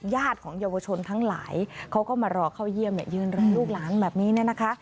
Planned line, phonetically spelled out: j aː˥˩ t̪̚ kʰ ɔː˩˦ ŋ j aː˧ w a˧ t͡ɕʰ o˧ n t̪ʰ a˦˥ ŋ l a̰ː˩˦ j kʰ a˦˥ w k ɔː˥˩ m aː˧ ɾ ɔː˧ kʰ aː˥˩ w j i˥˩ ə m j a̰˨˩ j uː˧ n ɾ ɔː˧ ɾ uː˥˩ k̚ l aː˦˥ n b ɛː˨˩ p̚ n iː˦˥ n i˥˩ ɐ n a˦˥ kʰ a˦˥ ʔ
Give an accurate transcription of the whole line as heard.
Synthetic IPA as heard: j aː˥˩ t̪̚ kʰ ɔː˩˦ ŋ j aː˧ w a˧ t͡ɕʰ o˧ n t̪ʰ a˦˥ ŋ l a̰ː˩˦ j kʰ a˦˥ w k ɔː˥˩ m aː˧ ɾ ɔː˧ kʰ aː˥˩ w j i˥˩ ə m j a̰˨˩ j ɯː˧ n ɾ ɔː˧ l uː˥˩ k̚ l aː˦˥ n b ɛː˨˩ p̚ n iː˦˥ n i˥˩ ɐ n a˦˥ kʰ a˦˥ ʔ

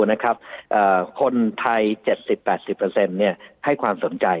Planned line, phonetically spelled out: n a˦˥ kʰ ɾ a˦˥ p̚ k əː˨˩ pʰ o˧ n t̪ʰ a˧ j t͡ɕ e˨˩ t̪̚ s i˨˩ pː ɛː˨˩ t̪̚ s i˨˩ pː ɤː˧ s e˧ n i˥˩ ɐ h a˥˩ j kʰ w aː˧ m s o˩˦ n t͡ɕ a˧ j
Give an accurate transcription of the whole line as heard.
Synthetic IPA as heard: n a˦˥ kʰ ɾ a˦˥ p̚ ʔ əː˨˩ kʰ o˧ n t̪ʰ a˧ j t͡ɕ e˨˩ t̪̚ s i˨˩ pː ɛː˨˩ t̪̚ s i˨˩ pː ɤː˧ s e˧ nː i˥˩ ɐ h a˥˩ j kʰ w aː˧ m s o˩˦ n t͡ɕ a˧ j

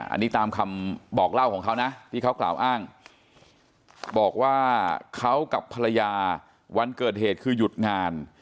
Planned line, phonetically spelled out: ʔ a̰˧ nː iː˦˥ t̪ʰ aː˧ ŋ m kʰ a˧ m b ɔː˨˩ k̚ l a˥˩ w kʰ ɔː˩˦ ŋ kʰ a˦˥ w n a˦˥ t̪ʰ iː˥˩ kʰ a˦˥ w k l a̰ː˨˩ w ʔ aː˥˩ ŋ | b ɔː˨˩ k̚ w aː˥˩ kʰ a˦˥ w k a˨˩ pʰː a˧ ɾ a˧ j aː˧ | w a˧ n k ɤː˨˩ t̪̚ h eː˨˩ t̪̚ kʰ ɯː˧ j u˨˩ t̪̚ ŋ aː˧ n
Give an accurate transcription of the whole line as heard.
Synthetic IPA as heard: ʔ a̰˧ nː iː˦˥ t̪ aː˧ m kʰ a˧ m b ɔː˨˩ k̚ l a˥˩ w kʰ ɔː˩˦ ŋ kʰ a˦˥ w n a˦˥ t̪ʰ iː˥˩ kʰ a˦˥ w k l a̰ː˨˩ w ʔ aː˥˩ ŋ | b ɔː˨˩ k̚ w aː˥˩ kʰ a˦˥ w k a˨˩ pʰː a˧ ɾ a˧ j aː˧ | w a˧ n k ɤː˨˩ t̪̚ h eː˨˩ t̪̚ kʰ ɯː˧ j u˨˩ t̪̚ ŋ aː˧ n

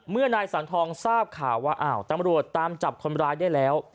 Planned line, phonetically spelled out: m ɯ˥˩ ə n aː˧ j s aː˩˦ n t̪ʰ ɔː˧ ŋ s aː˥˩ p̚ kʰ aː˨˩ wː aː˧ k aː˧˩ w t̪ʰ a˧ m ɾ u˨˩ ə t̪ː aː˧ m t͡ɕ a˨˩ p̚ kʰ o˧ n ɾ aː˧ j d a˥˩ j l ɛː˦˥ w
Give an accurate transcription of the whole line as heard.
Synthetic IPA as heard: m ɯ˥˩ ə n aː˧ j s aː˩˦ n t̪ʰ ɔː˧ ŋ s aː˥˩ p̚ kʰ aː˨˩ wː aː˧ ʔ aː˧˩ w t̪ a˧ m ɾ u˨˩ ə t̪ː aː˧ m t͡ɕ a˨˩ p̚ kʰ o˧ n ɾ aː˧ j d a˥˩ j l ɛː˦˥ w

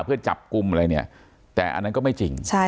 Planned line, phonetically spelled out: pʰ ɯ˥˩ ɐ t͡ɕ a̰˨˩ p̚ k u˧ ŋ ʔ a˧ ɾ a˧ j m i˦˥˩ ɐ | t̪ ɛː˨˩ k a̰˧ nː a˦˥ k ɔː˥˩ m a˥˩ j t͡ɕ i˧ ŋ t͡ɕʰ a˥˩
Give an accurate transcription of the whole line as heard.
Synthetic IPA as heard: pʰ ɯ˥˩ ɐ t͡ɕ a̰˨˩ p̚ k u˧ m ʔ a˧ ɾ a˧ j n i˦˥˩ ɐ | t̪ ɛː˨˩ ʔ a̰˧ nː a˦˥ k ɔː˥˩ m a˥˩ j t͡ɕ i˧ ŋ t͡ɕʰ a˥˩

